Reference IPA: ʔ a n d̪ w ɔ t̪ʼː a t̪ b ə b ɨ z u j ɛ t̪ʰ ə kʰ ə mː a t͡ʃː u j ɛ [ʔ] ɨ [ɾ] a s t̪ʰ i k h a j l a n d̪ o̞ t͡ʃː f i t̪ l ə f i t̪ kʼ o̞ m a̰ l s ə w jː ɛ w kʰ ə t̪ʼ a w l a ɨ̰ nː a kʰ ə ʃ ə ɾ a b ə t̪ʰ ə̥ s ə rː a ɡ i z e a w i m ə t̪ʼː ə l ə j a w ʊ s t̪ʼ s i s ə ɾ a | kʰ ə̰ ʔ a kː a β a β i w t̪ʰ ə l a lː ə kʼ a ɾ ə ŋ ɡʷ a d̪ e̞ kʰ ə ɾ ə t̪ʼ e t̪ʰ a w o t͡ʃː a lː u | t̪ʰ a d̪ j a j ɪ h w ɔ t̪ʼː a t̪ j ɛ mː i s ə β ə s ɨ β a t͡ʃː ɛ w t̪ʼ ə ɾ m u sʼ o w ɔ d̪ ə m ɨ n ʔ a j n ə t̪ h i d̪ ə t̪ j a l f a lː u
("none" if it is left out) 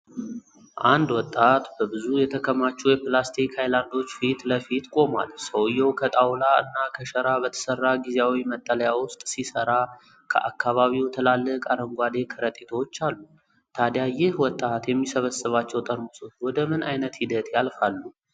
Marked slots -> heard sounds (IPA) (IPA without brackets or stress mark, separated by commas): p, l